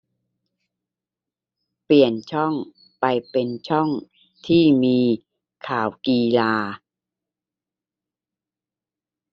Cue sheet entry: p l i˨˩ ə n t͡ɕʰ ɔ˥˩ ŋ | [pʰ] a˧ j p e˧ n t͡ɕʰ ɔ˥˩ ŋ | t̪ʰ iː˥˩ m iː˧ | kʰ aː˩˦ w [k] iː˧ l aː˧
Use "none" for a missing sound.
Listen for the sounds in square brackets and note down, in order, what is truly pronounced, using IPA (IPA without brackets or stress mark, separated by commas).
p, k